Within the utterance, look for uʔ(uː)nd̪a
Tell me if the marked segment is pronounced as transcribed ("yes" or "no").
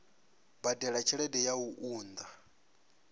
yes